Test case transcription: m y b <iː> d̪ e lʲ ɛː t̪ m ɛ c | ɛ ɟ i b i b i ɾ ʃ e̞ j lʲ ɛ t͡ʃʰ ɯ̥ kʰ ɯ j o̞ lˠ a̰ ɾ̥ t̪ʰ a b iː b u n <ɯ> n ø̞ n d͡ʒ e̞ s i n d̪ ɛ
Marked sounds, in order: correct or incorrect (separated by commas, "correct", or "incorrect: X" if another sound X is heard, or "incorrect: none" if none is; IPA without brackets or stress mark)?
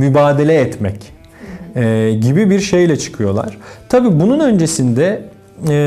incorrect: aː, incorrect: u